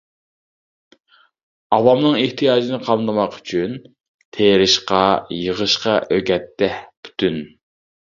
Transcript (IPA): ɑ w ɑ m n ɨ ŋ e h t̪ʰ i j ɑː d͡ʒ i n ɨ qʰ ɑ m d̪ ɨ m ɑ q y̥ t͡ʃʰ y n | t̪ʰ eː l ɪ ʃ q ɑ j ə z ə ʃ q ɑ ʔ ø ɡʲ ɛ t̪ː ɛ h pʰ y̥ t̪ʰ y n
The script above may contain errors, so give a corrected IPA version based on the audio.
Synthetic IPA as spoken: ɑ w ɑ m n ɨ ŋ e h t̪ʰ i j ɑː d͡ʒ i n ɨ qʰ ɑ m d̪ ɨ m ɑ q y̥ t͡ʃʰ y n | t̪ʰ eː ɾ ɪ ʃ q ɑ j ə ʁ ə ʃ q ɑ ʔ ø ɡʲ ɛ t̪ː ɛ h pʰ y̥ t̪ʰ y n